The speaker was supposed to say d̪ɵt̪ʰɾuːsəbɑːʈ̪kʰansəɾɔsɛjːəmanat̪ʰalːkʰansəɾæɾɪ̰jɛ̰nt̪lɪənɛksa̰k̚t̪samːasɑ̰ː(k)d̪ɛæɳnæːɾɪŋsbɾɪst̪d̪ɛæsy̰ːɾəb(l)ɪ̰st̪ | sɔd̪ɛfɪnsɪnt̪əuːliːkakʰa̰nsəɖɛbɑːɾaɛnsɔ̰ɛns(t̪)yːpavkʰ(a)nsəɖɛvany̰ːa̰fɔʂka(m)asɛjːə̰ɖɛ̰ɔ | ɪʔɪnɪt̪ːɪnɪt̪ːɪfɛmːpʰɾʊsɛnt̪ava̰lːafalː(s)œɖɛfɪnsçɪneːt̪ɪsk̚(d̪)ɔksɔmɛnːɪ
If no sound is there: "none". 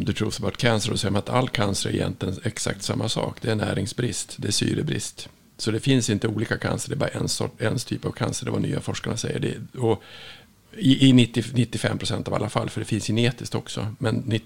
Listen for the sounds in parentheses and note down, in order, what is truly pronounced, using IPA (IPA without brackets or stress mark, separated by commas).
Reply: k, ɾ, t̪ʰ, a, ɳ, f, t̪